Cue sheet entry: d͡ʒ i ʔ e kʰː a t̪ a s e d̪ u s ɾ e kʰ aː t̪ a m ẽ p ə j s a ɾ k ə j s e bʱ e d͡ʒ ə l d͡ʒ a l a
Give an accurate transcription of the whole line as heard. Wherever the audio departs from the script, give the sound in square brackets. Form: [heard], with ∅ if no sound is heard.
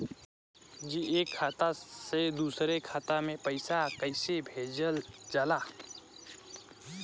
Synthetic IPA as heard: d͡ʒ i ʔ e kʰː a t̪ a s e d̪ u s ɾ e kʰ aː t̪ a m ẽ p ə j s a [∅] k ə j s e bʱ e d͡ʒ ə l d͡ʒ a l a